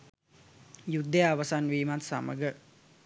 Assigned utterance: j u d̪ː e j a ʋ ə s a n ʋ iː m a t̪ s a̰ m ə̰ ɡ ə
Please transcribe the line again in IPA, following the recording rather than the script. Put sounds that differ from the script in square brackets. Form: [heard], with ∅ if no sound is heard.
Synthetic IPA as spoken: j u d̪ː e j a ʋ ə s a n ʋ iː m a t̪ s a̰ m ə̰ ɡ ə